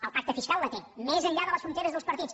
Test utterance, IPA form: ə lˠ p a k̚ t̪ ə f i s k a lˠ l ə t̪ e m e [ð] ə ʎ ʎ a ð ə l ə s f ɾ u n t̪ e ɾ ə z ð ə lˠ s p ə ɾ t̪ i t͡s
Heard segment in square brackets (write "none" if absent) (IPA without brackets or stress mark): z